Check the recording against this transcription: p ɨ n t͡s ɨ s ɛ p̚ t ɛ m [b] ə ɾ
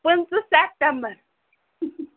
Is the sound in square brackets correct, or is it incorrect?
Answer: correct